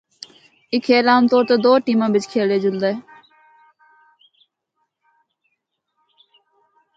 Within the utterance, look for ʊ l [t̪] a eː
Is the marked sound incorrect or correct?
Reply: incorrect